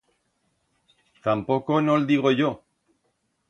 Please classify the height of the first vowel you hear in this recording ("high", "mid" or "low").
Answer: low